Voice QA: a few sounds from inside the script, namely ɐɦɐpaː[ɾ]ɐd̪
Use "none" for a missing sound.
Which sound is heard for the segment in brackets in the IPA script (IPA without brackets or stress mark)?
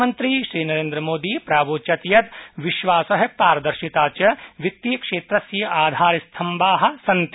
ɾ